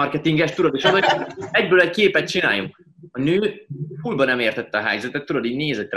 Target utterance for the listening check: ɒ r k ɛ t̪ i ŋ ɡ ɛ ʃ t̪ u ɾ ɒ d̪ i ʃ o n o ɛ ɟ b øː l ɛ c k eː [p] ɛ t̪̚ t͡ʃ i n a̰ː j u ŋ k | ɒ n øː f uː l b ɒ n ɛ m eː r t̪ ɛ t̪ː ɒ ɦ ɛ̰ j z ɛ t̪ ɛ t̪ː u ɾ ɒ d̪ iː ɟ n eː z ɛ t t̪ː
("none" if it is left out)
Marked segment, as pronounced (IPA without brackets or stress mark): p